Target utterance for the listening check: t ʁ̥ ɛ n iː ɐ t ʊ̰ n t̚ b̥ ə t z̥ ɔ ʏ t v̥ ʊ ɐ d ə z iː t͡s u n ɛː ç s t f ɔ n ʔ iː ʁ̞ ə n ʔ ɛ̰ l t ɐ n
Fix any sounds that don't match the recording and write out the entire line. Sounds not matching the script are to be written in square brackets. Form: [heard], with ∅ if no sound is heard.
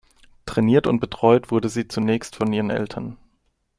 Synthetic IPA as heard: t ʁ̥ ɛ n iː ɐ t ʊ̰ n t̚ b̥ ə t [ʁ̥] ɔ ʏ t v̥ ʊ ɐ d ə z iː t͡s u n ɛː ç s t f ɔ n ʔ iː ʁ̞ ə n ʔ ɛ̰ l [tʰ] ɐ n